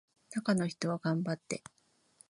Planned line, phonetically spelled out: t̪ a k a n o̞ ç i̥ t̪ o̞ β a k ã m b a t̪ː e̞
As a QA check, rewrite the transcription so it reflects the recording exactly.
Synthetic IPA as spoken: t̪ a k a n o̞ ç i̥ t̪ o̞ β a ɡ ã m b a t̪ː e̞